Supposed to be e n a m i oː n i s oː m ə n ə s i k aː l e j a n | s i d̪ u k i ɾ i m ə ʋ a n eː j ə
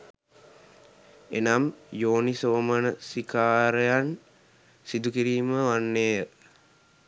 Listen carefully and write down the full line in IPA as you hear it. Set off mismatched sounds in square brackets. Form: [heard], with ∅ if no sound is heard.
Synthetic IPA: e n a m [j] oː n i s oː m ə n ə s i k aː [ɾ] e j a n | s i d̪ u k i ɾ [iː] m ə ʋ a [nː] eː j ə